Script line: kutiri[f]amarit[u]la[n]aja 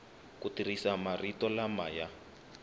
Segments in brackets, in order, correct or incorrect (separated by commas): incorrect, incorrect, incorrect